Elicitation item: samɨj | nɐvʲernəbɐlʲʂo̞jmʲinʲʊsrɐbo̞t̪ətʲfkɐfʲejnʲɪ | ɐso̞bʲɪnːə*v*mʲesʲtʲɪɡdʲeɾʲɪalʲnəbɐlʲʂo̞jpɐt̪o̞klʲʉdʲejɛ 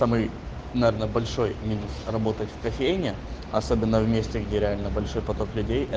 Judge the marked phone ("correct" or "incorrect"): correct